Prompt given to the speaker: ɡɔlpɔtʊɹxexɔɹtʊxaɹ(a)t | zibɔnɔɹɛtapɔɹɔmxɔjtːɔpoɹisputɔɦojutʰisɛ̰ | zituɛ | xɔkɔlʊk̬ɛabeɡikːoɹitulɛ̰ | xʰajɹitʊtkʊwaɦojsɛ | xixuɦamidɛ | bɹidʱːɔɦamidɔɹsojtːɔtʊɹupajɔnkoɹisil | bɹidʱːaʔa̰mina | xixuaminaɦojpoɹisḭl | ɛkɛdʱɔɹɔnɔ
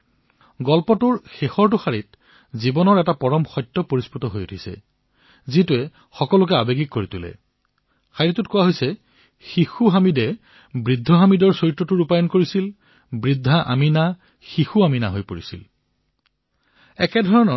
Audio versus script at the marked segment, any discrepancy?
yes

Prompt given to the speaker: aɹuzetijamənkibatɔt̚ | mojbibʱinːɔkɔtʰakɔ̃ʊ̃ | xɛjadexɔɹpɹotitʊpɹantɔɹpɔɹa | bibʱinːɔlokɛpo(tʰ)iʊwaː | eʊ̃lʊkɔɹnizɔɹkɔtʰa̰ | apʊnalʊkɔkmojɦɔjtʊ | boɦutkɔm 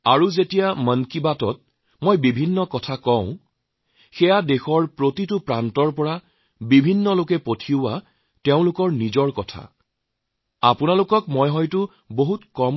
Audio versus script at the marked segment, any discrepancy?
no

